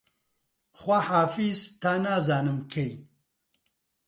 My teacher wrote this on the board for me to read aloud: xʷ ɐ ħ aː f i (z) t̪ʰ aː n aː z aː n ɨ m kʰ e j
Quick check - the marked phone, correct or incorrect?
correct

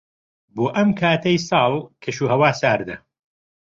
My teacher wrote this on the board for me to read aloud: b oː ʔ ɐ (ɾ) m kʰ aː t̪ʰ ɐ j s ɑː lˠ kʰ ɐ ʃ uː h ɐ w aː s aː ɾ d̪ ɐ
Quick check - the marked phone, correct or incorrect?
incorrect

